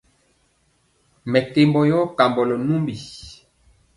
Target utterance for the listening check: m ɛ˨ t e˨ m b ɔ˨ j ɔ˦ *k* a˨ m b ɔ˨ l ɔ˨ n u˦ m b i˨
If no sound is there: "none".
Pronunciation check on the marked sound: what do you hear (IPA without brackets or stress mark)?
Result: k